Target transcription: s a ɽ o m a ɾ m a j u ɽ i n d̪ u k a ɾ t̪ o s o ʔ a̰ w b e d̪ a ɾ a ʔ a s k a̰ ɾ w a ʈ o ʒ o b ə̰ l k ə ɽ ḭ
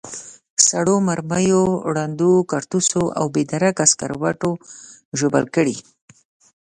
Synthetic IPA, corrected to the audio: s a ɽ o m a ɾ m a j o ɽ a n d̪ u k a ɾ t̪ u s o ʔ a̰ w b e d̪ a ɾ a k a s k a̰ ɾ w a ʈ o ʒ o b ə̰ l k ə ɽ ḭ